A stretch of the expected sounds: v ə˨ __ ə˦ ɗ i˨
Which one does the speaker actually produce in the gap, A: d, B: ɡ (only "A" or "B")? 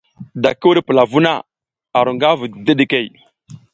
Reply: A